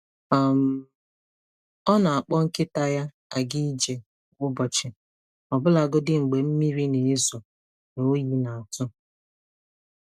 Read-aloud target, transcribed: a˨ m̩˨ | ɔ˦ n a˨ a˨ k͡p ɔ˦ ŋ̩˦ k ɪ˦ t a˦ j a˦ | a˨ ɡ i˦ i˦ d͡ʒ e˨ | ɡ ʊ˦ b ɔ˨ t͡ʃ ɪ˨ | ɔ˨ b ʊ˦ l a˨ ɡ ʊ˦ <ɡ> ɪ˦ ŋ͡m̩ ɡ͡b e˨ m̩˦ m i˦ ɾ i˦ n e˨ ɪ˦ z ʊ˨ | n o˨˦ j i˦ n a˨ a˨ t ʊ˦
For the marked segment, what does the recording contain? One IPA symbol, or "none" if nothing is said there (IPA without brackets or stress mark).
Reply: d